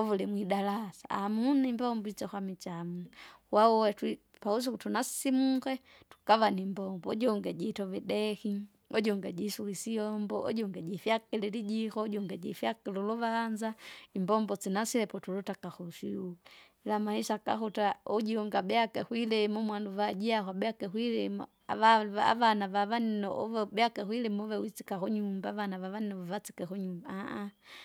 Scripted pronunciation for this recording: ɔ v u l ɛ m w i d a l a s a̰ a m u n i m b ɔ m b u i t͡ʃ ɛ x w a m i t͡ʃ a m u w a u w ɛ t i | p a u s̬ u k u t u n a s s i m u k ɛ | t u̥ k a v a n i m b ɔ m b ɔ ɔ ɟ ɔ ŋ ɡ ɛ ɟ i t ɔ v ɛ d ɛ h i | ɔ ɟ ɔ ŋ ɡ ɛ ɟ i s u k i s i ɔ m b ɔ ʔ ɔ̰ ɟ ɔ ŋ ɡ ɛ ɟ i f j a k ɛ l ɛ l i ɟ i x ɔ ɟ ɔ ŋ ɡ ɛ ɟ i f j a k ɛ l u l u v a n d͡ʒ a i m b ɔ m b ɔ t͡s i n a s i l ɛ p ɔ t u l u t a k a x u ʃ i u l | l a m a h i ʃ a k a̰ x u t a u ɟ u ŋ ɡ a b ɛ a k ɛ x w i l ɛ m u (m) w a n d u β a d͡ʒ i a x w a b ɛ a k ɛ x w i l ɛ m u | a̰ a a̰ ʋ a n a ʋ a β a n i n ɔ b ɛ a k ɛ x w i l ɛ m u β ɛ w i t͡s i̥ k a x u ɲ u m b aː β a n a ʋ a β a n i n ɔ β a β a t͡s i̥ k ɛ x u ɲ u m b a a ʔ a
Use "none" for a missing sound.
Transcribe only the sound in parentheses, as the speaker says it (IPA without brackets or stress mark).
m